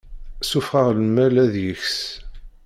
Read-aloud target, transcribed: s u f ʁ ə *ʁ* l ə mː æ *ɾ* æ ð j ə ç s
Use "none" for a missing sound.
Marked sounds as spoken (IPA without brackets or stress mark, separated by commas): ʁ, l